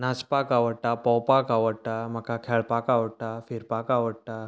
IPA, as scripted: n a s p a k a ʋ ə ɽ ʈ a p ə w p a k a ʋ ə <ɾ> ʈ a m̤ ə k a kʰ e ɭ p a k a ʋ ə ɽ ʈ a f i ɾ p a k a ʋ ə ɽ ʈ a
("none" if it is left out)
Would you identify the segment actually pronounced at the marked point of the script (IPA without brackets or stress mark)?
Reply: ɽ